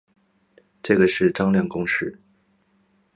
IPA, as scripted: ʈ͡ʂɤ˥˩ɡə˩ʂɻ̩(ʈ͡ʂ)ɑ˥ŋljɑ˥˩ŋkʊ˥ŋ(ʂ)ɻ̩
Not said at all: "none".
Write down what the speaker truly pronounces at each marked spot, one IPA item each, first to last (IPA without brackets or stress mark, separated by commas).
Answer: ʈ͡ʂ, ʂ